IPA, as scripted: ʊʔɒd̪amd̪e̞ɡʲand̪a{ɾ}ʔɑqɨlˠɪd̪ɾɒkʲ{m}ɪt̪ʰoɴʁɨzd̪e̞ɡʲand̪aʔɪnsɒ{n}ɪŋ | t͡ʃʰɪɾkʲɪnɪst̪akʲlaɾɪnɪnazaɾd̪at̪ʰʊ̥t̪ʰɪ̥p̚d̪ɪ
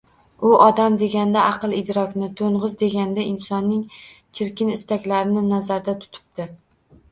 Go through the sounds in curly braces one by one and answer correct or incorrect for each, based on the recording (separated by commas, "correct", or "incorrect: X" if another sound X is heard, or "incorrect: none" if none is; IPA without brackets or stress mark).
incorrect: none, incorrect: n, incorrect: nː